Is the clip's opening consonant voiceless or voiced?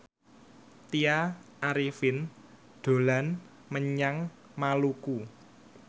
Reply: voiceless